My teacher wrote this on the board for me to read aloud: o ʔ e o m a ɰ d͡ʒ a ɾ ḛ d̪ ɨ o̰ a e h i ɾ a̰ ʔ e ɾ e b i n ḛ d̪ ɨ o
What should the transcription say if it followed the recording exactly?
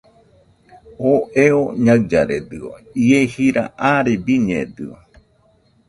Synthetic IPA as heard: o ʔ e o ɲ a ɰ d͡ʒ a ɾ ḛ d̪ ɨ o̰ i e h i ɾ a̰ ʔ a ɾ e b i ɲ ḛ d̪ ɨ o